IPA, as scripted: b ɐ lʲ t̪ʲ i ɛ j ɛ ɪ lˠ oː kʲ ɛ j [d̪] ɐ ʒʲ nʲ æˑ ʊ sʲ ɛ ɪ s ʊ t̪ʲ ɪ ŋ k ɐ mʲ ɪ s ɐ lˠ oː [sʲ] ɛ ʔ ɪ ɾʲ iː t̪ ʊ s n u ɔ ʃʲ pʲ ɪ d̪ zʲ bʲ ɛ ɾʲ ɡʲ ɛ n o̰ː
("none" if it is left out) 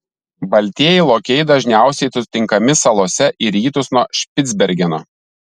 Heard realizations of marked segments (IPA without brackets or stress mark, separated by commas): d̪, sʲ